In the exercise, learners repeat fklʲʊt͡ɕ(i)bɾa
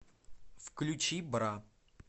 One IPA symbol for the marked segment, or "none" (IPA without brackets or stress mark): i